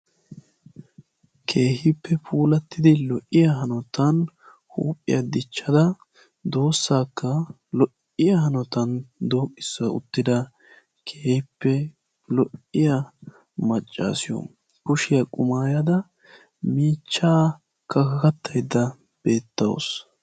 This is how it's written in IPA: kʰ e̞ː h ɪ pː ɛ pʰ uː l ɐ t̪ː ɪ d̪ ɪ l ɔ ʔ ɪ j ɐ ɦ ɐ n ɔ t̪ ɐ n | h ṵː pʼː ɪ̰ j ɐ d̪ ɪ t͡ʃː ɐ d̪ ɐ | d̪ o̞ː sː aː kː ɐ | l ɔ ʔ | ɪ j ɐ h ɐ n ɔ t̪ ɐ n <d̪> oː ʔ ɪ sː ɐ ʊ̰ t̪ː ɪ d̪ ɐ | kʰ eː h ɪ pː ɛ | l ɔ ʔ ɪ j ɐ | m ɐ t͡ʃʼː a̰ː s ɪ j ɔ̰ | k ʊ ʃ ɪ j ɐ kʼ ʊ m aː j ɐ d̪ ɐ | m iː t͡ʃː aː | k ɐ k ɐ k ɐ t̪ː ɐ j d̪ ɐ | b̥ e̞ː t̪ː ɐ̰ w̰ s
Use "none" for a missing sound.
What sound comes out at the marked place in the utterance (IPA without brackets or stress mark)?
d̪